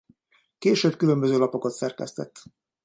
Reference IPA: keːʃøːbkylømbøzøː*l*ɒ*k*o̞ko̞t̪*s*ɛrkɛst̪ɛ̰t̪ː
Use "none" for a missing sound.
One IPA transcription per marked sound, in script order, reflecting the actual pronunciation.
l, p, s

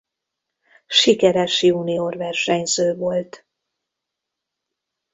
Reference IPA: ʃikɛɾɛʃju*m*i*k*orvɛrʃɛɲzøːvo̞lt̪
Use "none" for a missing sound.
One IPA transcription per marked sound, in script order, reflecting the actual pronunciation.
n, none

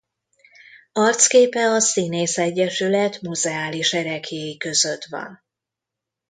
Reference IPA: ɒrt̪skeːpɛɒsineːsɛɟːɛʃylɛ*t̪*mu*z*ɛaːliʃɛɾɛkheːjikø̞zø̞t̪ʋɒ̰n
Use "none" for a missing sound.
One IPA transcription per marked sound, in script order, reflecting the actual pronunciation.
t̪, z

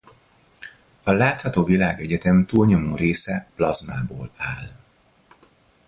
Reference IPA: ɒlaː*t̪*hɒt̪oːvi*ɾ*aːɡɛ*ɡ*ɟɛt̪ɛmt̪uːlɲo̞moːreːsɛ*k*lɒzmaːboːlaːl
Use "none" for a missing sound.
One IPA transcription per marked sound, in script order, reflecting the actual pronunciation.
t̪, l, none, p

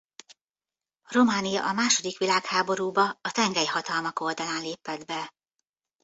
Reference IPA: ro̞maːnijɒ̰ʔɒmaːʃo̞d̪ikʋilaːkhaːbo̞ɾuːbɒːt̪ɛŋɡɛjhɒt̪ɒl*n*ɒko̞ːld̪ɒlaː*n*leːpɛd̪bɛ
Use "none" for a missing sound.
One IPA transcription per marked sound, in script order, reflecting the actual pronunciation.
m, n

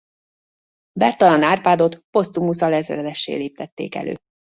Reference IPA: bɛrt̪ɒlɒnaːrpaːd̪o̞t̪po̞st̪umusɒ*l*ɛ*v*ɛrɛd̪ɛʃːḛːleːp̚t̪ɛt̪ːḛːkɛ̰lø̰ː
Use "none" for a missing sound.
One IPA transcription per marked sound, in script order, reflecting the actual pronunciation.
l, z

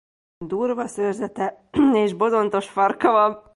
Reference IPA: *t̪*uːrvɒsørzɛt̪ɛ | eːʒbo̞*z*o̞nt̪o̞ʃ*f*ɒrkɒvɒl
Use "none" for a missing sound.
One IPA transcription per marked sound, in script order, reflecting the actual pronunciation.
d̪, z, f

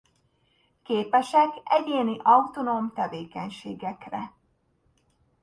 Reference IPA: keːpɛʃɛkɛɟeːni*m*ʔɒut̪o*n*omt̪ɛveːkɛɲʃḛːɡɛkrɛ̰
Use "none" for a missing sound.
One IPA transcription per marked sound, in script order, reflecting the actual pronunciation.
none, n

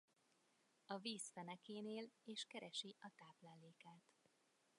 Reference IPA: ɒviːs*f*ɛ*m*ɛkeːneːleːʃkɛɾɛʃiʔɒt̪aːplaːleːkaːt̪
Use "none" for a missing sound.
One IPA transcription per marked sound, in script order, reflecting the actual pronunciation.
f, n

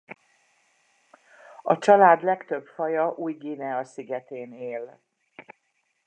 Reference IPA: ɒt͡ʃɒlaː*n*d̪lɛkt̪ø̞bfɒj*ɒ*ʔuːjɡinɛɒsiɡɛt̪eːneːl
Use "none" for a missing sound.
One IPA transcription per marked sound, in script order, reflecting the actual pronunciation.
none, ɒ

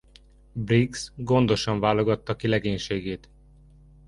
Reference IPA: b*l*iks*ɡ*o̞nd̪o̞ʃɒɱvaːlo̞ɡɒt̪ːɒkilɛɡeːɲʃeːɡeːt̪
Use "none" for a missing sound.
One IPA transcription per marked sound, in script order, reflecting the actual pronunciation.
r, ɡ

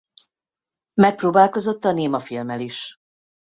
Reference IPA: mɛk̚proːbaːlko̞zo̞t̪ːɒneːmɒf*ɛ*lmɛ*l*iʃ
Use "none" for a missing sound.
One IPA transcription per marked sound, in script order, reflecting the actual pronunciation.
i, l

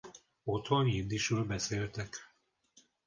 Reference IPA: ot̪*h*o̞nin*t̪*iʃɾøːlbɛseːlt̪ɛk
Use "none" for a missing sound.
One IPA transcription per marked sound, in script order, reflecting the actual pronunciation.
h, d̪

